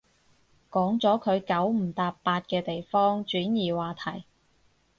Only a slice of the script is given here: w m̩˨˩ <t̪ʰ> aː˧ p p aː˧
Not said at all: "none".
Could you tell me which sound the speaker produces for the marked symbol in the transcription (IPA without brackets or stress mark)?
t̪